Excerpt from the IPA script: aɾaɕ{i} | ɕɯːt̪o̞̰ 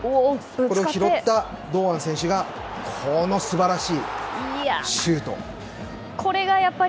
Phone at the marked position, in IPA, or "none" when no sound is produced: iː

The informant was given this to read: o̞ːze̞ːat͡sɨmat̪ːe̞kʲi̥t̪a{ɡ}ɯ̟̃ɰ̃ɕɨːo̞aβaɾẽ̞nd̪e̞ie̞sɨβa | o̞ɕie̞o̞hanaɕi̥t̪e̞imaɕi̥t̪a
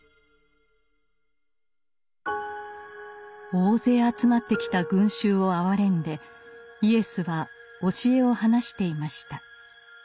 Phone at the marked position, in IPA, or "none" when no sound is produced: ɡ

